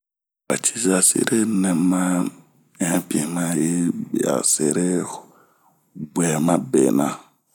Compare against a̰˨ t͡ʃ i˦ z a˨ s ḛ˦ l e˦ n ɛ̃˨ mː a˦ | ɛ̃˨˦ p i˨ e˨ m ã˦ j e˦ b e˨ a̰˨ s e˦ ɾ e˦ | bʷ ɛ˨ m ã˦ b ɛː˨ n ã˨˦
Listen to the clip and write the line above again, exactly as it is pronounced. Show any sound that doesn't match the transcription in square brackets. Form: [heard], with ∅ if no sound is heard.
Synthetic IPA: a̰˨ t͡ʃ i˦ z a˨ s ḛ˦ [ɾ] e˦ n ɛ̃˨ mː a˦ | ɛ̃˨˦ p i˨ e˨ m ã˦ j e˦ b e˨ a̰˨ s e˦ ɾ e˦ | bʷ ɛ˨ m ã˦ b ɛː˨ n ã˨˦